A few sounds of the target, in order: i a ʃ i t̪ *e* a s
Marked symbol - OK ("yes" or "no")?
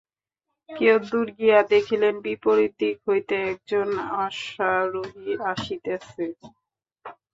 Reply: yes